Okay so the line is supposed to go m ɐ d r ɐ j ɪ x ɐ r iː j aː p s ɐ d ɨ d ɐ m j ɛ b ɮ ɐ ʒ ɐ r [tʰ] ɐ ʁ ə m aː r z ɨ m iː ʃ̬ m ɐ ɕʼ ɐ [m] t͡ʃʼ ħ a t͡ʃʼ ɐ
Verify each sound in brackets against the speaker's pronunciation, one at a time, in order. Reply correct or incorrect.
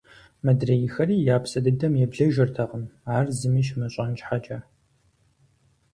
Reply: correct, incorrect

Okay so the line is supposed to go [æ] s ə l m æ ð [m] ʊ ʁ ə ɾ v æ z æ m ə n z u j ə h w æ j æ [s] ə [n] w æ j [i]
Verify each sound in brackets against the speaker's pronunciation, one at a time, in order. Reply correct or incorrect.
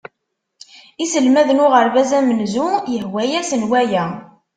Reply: incorrect, incorrect, correct, correct, incorrect

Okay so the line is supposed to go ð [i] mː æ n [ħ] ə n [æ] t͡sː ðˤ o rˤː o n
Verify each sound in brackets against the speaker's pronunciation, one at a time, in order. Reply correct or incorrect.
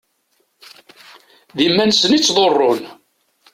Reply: correct, incorrect, incorrect

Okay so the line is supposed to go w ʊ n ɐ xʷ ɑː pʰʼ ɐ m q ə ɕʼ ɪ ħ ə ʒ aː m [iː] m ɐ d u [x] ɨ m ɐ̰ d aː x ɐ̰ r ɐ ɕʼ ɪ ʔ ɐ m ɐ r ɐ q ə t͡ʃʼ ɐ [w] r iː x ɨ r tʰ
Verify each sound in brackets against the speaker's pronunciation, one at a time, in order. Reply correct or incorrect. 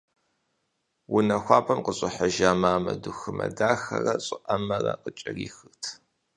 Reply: incorrect, correct, incorrect

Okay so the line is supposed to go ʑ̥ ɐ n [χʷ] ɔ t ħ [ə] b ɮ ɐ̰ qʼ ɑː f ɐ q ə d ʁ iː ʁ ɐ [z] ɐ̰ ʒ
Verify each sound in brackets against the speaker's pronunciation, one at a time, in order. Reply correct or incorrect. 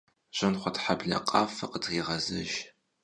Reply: correct, incorrect, correct

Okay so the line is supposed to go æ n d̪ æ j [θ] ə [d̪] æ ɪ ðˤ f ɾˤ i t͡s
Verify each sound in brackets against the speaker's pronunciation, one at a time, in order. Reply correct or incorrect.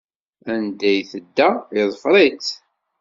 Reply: correct, incorrect

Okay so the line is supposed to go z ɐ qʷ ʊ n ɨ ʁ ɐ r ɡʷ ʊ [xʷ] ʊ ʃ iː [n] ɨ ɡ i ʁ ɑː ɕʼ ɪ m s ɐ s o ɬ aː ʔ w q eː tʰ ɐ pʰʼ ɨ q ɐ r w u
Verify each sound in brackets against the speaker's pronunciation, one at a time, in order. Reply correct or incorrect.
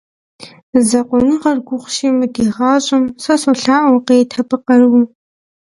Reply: incorrect, incorrect

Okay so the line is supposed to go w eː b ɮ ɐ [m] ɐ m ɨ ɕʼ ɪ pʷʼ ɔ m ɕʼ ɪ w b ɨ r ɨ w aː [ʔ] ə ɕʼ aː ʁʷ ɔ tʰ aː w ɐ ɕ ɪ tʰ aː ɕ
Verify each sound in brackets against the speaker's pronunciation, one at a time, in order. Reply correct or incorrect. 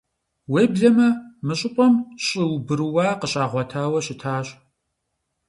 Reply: correct, incorrect

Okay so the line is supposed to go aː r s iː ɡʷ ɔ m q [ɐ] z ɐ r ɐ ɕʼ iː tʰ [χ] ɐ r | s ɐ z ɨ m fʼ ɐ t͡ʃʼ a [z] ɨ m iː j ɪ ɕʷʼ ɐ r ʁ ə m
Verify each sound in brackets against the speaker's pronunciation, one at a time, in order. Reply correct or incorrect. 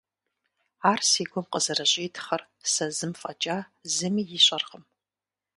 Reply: incorrect, correct, correct

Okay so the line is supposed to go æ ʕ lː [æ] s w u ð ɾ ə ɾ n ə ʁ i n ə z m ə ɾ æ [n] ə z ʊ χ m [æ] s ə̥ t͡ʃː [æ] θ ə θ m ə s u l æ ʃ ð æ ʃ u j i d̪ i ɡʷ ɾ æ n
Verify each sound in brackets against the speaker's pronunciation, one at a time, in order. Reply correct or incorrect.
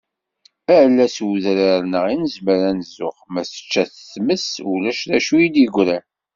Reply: correct, correct, correct, correct

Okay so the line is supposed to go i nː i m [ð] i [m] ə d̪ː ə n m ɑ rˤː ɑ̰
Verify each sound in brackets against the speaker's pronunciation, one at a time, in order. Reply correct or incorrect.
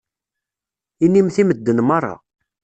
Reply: incorrect, correct

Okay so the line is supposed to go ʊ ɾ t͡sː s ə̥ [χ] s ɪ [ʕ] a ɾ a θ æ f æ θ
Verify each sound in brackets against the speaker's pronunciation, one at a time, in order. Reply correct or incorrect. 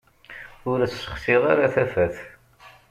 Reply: correct, incorrect

